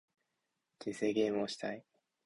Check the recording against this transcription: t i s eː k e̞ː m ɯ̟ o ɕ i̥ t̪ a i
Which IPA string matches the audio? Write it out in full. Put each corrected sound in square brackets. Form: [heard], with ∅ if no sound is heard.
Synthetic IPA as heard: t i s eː [ɡ] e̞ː m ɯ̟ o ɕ i̥ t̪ a i